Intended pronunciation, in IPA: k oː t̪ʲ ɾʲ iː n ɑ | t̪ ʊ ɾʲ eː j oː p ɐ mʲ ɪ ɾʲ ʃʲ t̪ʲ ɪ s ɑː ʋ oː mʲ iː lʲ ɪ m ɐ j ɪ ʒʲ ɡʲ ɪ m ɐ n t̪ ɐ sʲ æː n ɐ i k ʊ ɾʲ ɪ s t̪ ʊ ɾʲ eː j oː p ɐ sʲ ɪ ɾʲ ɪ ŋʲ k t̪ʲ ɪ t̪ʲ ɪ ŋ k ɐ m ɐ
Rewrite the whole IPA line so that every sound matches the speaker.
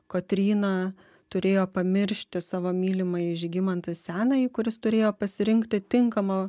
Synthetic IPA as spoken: k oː t̪ʲ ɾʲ iː n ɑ | t̪ ʊ ɾʲ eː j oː p ɐ mʲ ɪ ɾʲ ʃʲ t̪ʲ ɪ s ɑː ʋ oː mʲ iː lʲ ɪ m ɐ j ɪ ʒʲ ɡʲ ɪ m ɐ n t̪ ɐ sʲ æː n ɐ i k ʊ ɾʲ ɪ s t̪ ʊ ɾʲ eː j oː p ɐ sʲ ɪ ɾʲ ɪ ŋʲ k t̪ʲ ɪ t̪ʲ ɪ ŋ k ɐ m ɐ